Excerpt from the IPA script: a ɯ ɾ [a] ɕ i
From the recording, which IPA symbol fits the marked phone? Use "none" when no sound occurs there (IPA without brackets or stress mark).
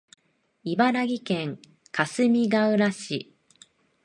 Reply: a